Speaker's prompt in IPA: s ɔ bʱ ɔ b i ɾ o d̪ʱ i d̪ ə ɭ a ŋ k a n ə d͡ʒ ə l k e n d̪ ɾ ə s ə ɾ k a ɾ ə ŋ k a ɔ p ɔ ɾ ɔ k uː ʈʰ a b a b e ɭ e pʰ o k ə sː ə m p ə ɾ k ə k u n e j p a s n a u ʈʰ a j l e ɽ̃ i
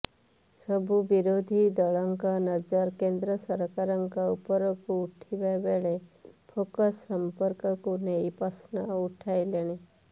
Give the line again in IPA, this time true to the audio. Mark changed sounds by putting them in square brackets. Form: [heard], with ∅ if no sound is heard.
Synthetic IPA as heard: s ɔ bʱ [u] b i ɾ o d̪ʱ i d̪ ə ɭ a ŋ k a n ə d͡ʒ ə [ɾ] k e n d̪ ɾ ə s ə ɾ k a ɾ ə ŋ k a [u] p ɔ ɾ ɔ k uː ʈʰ [i] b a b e ɭ e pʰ o k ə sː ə m p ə ɾ k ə k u n e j p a s n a u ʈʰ a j l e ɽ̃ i